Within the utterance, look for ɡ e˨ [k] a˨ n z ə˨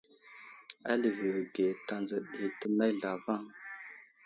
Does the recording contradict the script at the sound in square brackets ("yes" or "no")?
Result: yes